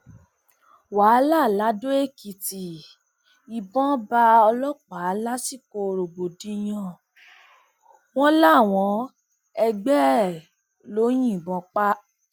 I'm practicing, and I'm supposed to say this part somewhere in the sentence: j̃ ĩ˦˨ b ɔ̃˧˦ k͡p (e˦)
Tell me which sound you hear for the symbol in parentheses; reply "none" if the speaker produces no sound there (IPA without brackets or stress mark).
a˦